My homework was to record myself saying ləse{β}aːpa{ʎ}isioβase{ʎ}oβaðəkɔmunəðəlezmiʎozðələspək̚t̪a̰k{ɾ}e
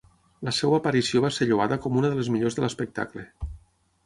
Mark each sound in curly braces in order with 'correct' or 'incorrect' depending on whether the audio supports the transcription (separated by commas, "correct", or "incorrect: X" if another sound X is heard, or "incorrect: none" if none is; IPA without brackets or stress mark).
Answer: incorrect: w, incorrect: ɾ, correct, incorrect: l